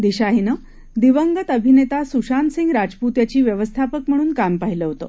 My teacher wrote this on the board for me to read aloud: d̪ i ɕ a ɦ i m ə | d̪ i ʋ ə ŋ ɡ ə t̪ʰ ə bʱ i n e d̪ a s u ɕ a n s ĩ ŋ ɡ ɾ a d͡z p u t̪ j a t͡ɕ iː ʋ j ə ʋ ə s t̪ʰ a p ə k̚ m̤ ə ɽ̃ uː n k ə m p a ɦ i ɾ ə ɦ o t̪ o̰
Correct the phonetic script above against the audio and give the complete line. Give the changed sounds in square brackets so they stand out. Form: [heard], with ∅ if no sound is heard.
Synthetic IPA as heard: d̪ i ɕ a ɦ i [n] ə | d̪ i ʋ ə ŋ ɡ ə [t̪] ə bʱ i n e [t̪] a s u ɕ a n s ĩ ŋ ɡ ɾ a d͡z p u t̪ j a t͡ɕ iː ʋ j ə ʋ ə s t̪ʰ a p ə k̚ m̤ ə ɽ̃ uː n k [a] m p a ɦ i [l] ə ɦ o t̪ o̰